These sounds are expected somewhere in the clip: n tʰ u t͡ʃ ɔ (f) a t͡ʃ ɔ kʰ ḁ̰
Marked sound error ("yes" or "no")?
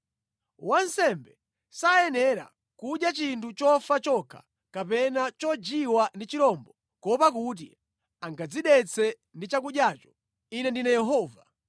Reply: no